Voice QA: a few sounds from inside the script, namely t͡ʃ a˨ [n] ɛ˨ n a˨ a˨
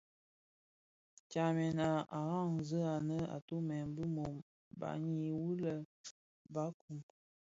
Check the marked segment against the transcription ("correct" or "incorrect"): incorrect